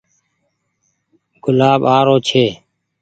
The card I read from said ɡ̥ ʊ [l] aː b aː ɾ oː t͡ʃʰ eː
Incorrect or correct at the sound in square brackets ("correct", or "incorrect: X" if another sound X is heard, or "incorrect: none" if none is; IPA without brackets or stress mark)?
correct